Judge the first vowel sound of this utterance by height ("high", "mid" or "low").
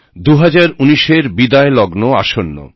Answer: high